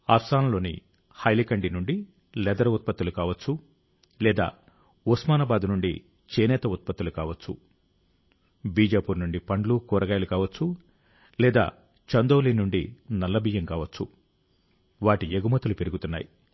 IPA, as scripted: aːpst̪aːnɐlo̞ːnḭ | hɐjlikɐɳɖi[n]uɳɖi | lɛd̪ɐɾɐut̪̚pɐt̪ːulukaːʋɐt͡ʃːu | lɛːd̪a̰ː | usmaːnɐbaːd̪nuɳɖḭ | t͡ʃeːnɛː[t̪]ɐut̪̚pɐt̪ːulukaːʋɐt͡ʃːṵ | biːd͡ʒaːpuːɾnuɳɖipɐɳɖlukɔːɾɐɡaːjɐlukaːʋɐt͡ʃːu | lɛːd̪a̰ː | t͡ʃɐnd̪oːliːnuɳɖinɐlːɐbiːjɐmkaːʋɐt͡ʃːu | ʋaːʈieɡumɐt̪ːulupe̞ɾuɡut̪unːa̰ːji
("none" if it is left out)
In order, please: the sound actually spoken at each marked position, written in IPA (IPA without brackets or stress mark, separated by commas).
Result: n, t̪